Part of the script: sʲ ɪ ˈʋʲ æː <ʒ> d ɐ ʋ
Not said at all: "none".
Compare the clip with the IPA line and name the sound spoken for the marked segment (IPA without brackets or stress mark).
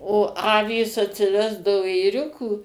z